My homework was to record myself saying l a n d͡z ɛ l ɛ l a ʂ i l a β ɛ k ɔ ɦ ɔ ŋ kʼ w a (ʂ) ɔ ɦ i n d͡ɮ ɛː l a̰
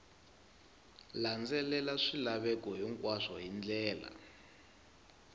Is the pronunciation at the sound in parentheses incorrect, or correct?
correct